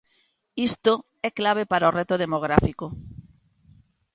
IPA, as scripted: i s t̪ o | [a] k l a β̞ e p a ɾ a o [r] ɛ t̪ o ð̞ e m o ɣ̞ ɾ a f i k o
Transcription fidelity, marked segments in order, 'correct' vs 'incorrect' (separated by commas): incorrect, correct